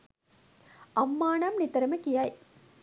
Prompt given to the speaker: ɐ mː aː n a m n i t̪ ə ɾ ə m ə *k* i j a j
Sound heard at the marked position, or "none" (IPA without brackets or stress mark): k